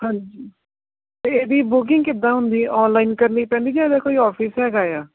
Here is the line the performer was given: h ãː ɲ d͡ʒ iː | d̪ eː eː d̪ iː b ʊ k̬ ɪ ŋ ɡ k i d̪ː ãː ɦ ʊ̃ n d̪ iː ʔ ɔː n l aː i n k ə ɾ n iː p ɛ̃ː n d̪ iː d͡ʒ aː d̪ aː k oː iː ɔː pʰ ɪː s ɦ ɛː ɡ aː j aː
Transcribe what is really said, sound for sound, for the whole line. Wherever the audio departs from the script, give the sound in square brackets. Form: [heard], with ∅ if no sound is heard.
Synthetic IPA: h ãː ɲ d͡ʒ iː | [t̪] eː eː d̪ iː b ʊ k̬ ɪ ŋ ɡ k [ɪ] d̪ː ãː ɦ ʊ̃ n d̪ iː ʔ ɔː n l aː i n k ə ɾ n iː p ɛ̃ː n d̪ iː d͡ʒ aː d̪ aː k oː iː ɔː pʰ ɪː s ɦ ɛː ɡ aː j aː